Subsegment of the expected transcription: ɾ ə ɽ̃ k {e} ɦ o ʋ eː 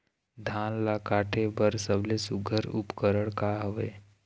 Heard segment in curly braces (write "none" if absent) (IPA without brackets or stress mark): a